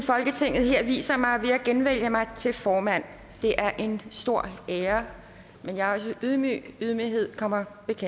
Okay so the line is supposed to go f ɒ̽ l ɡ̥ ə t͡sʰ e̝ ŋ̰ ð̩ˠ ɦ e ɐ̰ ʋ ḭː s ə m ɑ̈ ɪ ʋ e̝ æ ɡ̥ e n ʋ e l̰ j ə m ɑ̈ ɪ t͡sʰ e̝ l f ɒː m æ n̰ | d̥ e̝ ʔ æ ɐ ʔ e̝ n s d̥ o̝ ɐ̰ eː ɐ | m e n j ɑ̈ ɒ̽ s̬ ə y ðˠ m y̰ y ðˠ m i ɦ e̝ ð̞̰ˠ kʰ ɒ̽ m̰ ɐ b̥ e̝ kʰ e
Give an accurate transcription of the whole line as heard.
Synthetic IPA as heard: f ɒ̽ l ɡ̥ ə t͡sʰ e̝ ŋ̰ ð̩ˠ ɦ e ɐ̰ ʋ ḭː s ɐ m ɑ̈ ɪ ʋ e̝ æ ɡ̥ e n ʋ e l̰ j ə m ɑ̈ ɪ t͡sʰ e̝ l f ɒː m æ n̰ | d̥ e̝ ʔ æ ɐ ʔ e̝ n s d̥ o̝ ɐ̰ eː ɐ | m e n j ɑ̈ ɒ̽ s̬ ə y ðˠ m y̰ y ðˠ m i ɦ e̝ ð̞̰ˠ kʰ ɒ̽ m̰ ɐ b̥ e̝ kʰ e